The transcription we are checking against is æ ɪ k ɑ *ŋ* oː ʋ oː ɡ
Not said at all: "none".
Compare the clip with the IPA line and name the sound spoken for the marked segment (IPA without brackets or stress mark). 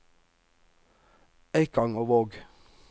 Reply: ŋ